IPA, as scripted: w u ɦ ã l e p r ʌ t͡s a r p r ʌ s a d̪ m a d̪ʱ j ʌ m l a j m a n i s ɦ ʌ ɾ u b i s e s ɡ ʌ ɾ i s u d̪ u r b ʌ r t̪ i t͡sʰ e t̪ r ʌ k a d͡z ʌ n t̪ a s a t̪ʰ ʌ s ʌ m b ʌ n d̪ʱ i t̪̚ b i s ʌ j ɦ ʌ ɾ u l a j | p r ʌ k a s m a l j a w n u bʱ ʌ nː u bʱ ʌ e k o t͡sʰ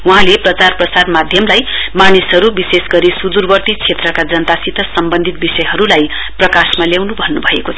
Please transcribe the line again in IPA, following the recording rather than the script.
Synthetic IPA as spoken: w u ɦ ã l e p r ʌ t͡s a r p r ʌ s a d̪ m a d̪ʱ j ʌ m l a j m a n i s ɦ ʌ ɾ u b i s e s ɡ ʌ ɾ i s u d̪ u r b ʌ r t̪ i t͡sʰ e t̪ r ʌ k a d͡z ʌ n t̪ a s i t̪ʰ ʌ s ʌ m b ʌ n d̪ʱ i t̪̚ b i s ʌ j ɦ ʌ ɾ u l a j | p r ʌ k a s m a l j a w n u bʱ ʌ nː u bʱ ʌ e k o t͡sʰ